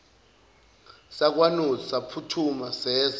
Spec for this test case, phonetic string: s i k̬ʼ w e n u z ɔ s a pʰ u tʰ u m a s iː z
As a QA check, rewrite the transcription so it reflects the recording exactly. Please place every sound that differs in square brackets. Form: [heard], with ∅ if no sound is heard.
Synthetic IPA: s [a] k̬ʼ w [a] n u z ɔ s a pʰ u tʰ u m a s [ɛː] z